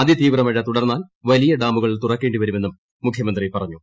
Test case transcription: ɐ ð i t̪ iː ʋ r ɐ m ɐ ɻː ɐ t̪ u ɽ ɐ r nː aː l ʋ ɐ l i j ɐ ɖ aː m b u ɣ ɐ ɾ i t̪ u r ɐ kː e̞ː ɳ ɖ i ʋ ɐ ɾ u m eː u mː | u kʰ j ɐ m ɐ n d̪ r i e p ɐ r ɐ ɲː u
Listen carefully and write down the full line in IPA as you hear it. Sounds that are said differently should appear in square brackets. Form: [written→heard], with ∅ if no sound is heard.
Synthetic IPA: ɐ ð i t̪ iː ʋ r ɐ m ɐ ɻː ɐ t̪ u ɽ ɐ r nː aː l ʋ ɐ l i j ɐ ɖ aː m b u ɣ ɐ [ɾ→ɭ] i t̪ u r ɐ kː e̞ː ɳ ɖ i ʋ ɐ ɾ u m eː u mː | u kʰ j ɐ m ɐ n d̪ r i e p ɐ r ɐ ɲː u